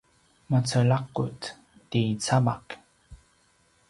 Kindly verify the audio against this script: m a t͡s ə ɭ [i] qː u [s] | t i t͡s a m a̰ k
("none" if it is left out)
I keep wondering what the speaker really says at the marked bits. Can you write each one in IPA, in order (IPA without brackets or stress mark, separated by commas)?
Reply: a, t